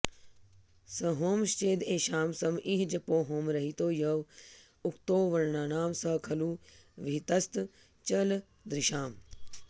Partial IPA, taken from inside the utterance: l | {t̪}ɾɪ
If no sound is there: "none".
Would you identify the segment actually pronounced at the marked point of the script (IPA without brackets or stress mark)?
d̪